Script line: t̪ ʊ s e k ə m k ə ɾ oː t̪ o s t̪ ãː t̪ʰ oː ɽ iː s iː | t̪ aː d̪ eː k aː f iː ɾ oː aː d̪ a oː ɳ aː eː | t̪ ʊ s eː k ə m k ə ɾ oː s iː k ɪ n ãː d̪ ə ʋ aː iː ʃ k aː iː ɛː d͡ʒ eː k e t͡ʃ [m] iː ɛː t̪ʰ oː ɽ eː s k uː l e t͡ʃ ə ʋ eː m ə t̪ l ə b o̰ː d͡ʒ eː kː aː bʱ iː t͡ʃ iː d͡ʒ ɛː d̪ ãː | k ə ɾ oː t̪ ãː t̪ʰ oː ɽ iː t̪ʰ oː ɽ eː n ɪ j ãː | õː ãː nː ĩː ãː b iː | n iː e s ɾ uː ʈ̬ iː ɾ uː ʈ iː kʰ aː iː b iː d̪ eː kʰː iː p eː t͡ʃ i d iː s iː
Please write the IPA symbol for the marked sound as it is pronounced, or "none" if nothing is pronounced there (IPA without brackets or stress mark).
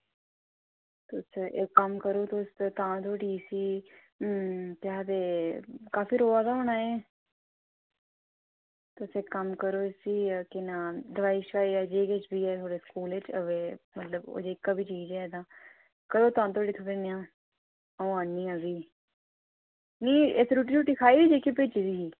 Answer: b